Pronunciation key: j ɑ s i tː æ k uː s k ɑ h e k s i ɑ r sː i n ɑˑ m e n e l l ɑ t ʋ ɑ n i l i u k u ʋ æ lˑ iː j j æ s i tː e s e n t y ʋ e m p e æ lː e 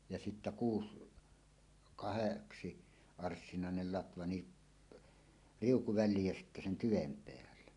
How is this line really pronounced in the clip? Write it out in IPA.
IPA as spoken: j ɑ s i tː æ k uː s k ɑ h e k s i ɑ r sː i n ɑˑ e n e l l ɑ t ʋ ɑ n i r i u k u ʋ æ lˑ iː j j æ s i tː æ s e n t y ʋ e m p e æ lː e